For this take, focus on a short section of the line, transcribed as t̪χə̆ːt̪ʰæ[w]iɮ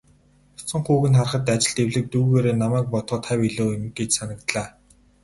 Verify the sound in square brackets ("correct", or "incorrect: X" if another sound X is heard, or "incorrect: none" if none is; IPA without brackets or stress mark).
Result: correct